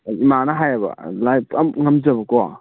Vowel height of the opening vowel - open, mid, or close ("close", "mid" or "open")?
close